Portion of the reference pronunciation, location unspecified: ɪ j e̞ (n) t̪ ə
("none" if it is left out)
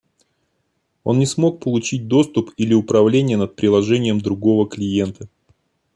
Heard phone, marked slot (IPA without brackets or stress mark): n